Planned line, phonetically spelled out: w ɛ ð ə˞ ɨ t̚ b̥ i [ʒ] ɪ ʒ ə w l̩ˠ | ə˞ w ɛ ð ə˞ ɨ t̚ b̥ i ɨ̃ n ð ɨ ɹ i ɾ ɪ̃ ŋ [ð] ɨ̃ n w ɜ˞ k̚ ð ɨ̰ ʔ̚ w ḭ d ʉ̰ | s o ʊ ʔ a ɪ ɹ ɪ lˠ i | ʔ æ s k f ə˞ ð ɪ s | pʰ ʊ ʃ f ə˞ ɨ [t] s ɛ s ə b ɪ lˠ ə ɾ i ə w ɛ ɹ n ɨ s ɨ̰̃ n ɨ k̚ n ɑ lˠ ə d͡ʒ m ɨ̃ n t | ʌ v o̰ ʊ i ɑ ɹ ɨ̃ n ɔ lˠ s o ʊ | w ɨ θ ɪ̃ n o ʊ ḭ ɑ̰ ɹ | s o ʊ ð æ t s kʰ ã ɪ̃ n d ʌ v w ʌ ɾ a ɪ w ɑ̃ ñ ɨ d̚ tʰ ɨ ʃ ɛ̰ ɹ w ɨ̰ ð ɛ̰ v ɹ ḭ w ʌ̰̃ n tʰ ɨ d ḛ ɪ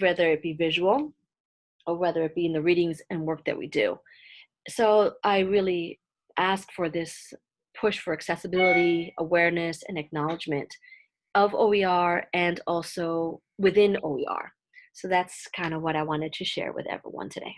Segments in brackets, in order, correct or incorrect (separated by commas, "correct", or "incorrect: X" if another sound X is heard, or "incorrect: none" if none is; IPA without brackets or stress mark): incorrect: v, incorrect: z, incorrect: k